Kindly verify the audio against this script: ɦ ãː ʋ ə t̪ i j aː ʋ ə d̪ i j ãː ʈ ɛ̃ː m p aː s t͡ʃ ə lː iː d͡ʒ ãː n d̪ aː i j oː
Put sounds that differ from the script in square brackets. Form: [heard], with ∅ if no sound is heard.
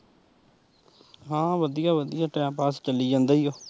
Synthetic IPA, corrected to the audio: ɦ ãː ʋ ə [d̪] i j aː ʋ ə d̪ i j [aː] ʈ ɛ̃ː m p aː s t͡ʃ ə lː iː d͡ʒ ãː n d̪ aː i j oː